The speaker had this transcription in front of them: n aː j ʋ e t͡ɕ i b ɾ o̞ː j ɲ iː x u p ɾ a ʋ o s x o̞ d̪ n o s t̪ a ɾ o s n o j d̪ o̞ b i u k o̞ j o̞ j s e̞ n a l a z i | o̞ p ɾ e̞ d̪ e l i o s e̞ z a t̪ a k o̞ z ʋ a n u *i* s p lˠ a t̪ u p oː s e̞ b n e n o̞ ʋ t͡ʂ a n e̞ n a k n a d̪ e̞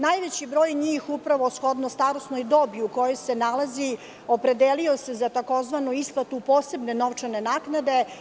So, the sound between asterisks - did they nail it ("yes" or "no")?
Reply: yes